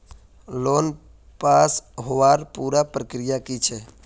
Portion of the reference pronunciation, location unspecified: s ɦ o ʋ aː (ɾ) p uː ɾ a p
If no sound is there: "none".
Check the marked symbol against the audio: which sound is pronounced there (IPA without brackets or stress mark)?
ɾ